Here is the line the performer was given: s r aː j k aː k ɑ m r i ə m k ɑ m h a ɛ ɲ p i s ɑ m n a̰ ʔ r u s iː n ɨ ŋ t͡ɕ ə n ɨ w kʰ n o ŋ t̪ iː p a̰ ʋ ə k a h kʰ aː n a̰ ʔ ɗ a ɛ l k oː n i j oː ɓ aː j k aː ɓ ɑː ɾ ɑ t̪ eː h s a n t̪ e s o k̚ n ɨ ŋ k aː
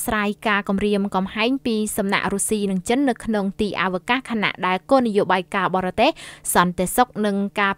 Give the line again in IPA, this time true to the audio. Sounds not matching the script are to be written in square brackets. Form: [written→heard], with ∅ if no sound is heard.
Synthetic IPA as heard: s r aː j k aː k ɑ m r i ə m k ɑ m h a ɛ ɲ p [i→iː] s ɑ m n a̰ ʔ r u s iː n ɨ ŋ t͡ɕ ə [n→nː] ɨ w kʰ n o ŋ t̪ iː [p→ʔ] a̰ ʋ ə k a h kʰ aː n a̰ ʔ ɗ a ɛ l k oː n i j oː ɓ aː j k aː ɓ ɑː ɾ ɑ t̪ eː h s [a→ɑ] n t̪ e s o k̚ n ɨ ŋ k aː